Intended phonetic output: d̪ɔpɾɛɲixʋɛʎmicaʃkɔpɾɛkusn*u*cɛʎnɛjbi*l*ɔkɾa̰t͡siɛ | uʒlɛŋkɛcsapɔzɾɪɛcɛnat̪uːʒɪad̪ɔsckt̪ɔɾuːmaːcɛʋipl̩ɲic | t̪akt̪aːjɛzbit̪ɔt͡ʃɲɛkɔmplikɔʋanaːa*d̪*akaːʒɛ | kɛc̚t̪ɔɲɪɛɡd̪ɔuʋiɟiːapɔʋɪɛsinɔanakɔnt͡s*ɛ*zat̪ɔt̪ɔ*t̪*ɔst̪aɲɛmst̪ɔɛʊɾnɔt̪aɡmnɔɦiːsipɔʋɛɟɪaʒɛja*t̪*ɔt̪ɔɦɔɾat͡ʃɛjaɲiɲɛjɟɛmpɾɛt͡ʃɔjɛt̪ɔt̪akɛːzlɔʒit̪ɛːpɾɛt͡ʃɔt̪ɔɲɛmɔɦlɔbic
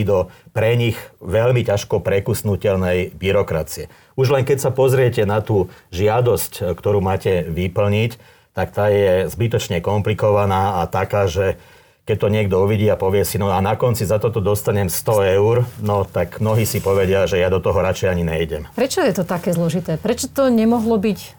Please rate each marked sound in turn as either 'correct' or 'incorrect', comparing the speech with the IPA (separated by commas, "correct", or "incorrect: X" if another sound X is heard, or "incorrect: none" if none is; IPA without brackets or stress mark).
correct, incorrect: ɾ, incorrect: t̪, incorrect: i, incorrect: d̪, incorrect: d̪